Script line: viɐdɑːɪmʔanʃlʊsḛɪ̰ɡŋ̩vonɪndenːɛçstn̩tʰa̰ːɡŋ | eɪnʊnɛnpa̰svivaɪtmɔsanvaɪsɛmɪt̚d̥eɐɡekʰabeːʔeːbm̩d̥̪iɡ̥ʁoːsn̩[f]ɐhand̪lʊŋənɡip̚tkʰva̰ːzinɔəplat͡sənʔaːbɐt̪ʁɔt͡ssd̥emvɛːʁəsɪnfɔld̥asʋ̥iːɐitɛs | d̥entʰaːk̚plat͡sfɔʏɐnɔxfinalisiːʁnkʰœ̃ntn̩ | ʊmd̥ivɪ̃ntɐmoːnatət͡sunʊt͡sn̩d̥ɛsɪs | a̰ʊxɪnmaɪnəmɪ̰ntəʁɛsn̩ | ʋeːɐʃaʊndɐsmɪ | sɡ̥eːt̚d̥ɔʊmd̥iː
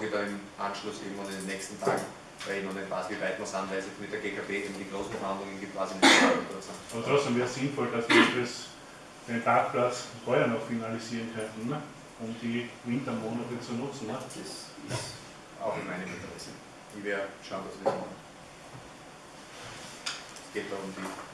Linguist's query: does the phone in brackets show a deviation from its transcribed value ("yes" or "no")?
no